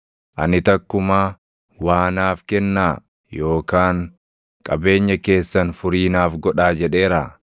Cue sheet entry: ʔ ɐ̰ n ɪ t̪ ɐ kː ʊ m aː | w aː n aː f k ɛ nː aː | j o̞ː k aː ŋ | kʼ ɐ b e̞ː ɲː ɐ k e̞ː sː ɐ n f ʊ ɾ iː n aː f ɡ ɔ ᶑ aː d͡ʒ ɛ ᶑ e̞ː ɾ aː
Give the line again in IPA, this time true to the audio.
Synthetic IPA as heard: ʔ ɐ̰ n ɪ t̪ ɐ kː ʊ m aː | w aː n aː f k ɛ nː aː | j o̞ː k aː ŋ | kʼ ɐ b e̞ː ɲː ɐ k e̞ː sː ɐ n f ʊ ɾ iː n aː f ɡ ɔ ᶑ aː d͡ʒ ɛ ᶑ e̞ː ɾ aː